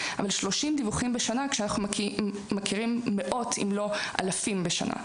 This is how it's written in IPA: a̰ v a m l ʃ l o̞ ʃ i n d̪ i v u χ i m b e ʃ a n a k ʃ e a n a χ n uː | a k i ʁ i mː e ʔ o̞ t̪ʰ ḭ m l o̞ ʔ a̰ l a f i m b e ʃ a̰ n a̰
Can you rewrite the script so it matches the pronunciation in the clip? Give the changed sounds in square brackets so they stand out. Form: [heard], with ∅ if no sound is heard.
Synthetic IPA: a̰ v a [∅] l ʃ l o̞ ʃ i [m] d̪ i v u χ i m b e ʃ a n a k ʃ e a n a χ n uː | a k i ʁ i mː e ʔ o̞ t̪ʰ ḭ m l o̞ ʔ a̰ l a f i m b e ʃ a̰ n a̰